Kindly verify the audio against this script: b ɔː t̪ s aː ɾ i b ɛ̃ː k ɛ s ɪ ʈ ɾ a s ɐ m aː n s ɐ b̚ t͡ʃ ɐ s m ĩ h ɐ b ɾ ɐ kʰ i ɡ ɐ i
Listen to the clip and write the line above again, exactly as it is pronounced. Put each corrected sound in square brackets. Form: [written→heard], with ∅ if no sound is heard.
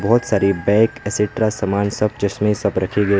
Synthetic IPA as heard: b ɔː t̪ s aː ɾ i b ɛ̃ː k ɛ s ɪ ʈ ɾ a s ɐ m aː n s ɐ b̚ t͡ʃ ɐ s m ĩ [h→s] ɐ b ɾ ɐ kʰ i ɡ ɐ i